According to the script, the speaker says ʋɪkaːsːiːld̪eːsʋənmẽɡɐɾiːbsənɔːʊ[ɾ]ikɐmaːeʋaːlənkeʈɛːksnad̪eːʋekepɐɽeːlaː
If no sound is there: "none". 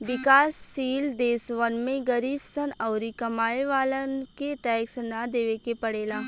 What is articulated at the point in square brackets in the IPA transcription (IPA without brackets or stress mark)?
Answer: ɾ